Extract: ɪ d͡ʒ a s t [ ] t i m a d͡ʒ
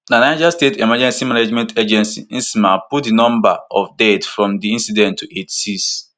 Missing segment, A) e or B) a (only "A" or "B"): A